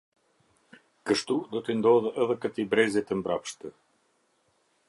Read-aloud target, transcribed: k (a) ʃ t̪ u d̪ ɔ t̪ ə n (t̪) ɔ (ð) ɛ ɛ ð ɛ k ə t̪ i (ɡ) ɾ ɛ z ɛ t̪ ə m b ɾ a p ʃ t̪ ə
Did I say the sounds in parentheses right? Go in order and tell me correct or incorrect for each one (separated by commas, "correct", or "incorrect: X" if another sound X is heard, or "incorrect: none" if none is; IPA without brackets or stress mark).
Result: incorrect: ə, incorrect: d̪, correct, incorrect: b